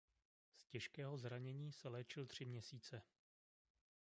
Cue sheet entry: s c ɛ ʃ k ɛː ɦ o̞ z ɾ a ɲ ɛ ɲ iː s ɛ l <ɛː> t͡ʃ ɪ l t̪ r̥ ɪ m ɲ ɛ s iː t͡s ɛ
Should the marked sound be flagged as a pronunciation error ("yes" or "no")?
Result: no